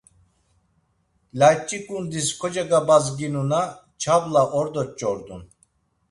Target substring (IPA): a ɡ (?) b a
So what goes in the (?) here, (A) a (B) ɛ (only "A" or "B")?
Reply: A